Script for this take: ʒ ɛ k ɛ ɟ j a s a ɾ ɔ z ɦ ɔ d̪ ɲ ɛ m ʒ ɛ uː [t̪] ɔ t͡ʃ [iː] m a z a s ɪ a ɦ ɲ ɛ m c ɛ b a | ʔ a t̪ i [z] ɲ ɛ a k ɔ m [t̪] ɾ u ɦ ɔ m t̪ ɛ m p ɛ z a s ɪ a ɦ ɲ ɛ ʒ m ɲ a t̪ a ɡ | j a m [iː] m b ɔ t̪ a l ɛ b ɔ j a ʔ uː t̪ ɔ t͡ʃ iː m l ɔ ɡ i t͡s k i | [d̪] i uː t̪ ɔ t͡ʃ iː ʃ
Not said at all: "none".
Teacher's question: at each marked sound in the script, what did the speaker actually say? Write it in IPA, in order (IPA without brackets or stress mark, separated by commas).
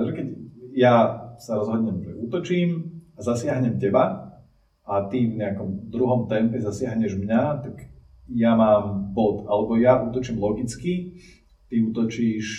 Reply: t̪, iː, v, d̪, aː, t̪